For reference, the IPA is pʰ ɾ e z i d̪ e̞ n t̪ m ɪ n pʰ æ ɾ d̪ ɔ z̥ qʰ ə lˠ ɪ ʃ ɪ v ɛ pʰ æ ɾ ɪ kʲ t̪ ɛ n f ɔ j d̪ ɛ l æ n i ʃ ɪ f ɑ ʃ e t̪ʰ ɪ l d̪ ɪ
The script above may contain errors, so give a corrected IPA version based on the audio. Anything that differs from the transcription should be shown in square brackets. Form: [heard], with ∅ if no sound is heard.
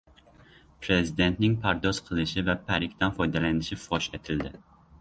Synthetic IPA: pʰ ɾ e z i d̪ e̞ n t̪ [n] ɪ [ŋ] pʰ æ ɾ d̪ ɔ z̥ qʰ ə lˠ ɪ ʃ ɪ v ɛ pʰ æ ɾ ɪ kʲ t̪ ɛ n f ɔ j d̪ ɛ l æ n [ɪ] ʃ ɪ f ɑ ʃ e t̪ʰ ɪ l d̪ ɪ